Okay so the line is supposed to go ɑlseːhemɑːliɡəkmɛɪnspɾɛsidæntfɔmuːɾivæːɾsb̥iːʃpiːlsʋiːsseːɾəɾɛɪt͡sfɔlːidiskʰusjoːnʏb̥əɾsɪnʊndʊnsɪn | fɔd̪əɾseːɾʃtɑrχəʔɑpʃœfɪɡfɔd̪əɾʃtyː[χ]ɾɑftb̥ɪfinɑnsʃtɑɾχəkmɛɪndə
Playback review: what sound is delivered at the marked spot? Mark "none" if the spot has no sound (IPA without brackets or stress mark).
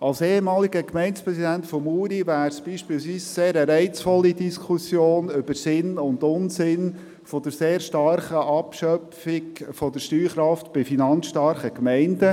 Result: χ